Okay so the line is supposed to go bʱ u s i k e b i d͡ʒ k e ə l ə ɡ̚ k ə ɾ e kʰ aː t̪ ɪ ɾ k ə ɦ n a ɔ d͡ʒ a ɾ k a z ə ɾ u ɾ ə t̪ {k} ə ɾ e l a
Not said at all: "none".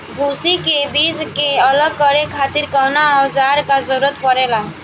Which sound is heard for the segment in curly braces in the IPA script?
p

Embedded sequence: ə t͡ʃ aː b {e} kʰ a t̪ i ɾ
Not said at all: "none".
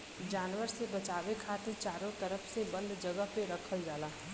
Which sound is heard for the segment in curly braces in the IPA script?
e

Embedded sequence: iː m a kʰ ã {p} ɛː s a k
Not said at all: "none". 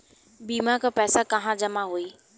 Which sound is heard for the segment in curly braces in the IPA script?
p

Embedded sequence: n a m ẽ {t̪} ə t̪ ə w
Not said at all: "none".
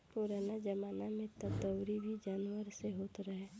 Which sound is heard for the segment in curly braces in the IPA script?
t̪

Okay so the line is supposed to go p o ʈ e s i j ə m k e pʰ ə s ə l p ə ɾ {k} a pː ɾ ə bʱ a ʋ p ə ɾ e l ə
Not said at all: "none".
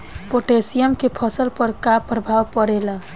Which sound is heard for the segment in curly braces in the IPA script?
k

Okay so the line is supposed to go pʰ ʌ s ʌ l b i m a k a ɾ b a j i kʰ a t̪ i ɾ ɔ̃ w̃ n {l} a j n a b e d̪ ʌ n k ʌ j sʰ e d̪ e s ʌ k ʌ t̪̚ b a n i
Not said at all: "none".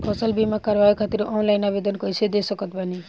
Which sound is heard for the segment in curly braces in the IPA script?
l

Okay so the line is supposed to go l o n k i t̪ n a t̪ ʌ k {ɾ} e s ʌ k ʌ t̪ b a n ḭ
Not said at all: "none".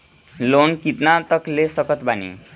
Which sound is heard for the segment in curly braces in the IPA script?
l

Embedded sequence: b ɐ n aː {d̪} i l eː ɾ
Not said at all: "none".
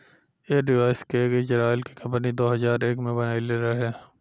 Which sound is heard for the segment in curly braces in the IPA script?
none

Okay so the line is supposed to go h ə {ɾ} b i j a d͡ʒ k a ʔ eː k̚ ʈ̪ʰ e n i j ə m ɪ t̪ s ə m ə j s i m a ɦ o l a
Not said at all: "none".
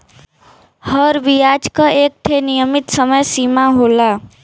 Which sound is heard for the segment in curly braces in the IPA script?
ɾ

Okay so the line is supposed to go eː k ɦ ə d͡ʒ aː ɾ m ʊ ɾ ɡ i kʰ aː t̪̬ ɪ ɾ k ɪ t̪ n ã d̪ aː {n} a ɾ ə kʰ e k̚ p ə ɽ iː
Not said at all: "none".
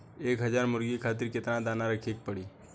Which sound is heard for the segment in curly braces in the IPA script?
n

